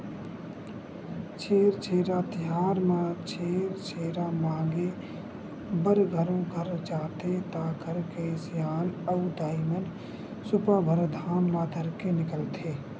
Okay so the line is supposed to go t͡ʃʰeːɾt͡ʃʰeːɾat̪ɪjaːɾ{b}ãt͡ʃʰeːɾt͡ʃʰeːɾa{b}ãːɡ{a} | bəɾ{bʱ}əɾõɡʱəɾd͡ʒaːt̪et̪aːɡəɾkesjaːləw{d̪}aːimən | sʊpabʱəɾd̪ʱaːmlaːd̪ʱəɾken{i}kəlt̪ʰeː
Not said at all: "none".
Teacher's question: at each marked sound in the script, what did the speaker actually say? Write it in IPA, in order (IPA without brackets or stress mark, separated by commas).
m, m, e, ɡʱ, d̪, ɪ